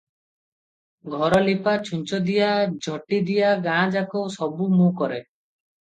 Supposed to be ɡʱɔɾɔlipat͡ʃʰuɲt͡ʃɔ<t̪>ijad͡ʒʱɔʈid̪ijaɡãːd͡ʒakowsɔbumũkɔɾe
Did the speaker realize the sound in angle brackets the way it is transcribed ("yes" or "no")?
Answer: no